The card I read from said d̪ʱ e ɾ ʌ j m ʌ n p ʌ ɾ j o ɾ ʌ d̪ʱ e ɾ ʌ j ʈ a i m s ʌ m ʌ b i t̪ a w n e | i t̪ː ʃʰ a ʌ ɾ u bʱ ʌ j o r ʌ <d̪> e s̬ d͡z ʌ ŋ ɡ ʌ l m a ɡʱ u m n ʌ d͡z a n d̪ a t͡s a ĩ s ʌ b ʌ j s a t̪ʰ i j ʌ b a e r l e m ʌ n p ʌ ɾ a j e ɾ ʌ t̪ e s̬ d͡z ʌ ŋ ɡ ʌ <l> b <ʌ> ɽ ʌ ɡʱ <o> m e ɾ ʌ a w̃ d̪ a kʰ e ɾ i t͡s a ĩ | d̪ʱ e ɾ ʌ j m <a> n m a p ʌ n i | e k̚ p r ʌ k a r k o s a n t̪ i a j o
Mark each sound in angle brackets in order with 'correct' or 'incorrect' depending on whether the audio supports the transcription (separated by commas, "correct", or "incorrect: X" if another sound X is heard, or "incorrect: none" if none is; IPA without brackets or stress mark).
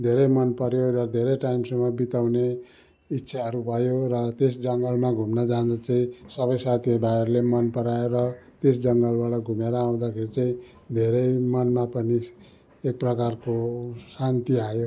incorrect: t̪, correct, incorrect: a, incorrect: u, incorrect: ʌ